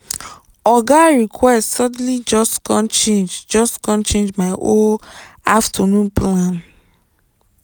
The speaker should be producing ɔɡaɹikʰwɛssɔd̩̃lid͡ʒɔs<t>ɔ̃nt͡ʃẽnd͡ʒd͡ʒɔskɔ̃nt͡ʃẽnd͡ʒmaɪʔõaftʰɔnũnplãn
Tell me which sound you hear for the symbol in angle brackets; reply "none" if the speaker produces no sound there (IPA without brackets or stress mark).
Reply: k